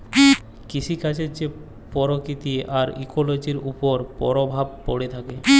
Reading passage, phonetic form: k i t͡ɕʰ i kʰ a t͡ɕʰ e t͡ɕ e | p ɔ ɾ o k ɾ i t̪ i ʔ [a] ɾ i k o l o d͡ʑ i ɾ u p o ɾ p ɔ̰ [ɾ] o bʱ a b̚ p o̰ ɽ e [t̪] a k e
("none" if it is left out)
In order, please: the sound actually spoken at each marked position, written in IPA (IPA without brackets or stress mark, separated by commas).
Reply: a, ɾ, t̪ʰ